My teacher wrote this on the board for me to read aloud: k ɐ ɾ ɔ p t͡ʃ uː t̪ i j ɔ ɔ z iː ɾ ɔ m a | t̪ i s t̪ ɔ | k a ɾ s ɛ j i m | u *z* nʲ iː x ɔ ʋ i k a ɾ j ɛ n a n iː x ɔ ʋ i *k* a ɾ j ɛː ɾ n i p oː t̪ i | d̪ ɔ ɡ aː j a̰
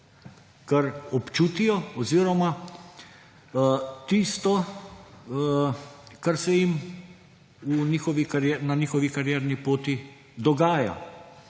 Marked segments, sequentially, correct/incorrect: incorrect, correct

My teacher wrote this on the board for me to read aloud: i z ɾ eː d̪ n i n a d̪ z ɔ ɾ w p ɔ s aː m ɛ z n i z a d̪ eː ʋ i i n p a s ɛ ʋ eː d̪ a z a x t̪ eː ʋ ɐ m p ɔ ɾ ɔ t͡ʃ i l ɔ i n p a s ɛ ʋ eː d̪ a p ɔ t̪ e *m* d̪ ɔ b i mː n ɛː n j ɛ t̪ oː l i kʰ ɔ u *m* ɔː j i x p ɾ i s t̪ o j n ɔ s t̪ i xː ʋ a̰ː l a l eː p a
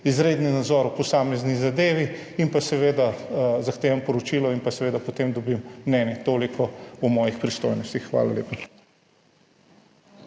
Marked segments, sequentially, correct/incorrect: correct, correct

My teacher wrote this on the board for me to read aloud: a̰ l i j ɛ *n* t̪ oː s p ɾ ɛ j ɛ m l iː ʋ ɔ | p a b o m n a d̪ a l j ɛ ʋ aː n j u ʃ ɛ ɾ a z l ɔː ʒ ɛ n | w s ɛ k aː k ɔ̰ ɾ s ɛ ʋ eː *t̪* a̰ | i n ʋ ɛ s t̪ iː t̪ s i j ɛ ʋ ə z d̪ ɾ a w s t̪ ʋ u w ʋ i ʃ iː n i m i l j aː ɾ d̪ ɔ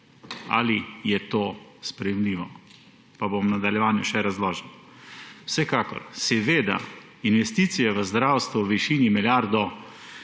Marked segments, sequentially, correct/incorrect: incorrect, incorrect

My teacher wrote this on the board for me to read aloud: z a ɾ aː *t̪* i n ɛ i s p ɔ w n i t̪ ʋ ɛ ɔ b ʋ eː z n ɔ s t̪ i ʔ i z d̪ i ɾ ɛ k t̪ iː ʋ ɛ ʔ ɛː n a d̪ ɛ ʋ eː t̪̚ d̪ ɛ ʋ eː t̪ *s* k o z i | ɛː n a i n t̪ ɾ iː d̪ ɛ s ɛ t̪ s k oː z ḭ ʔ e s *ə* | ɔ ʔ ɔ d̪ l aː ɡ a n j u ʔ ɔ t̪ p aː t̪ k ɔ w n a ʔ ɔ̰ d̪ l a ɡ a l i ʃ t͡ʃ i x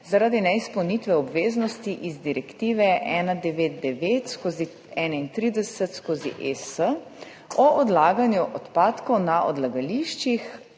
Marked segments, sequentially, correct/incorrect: incorrect, correct, correct

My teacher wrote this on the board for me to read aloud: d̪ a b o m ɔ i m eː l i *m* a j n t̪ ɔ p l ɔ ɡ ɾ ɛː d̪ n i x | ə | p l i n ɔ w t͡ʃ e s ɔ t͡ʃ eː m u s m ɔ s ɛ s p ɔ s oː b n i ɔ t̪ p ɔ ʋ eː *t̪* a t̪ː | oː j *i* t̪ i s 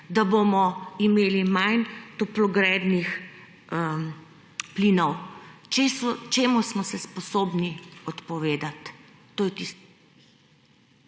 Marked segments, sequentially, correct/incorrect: correct, incorrect, incorrect

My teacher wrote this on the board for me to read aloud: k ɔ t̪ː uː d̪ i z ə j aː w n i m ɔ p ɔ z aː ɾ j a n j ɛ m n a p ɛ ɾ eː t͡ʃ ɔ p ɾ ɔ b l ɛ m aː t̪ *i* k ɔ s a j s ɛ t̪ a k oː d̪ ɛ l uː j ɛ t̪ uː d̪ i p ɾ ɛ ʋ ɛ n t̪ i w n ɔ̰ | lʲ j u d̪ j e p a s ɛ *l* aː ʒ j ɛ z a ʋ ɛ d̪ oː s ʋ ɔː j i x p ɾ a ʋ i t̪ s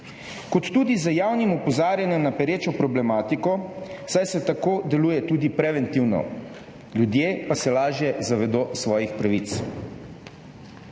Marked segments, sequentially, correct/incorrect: correct, correct

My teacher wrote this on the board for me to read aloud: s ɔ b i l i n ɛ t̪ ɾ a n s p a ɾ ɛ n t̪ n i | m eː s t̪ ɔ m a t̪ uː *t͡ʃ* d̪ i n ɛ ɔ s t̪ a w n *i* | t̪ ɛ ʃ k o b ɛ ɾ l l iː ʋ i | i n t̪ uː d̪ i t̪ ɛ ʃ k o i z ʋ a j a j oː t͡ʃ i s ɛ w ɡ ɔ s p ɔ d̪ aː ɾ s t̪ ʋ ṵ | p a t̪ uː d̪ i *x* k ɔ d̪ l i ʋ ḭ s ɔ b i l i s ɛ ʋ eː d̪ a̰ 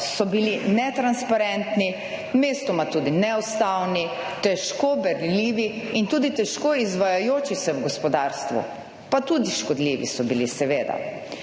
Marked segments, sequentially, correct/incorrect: incorrect, correct, incorrect

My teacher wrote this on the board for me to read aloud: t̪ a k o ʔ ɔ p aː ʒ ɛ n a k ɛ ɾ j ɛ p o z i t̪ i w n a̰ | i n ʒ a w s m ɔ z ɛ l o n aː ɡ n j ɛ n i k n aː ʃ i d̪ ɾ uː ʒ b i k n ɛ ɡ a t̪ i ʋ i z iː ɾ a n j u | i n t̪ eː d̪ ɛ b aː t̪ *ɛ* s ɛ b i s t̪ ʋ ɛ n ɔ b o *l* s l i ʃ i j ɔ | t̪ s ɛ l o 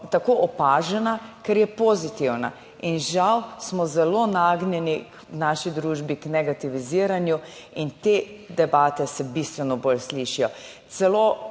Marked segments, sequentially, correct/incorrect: correct, correct

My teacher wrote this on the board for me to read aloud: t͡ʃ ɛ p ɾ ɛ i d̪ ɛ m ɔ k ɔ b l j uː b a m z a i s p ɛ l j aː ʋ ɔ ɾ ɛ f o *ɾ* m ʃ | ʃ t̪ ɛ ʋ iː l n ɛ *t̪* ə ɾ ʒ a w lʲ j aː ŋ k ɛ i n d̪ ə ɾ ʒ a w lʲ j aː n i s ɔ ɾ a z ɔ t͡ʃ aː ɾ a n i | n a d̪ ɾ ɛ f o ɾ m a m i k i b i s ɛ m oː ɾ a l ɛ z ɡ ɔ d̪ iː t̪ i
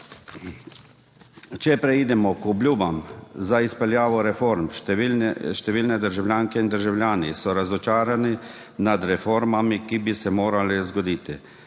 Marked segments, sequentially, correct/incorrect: correct, incorrect

